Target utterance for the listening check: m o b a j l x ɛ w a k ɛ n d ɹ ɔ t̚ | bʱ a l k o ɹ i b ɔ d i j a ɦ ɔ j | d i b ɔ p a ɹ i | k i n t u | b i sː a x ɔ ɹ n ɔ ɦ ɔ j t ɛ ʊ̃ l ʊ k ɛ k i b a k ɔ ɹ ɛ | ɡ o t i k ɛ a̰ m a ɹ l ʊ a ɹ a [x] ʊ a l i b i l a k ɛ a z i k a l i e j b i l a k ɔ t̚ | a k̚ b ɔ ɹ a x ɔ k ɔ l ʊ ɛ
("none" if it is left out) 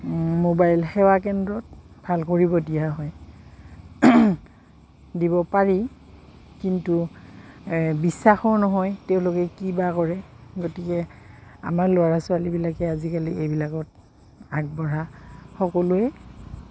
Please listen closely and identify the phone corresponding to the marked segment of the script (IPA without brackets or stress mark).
s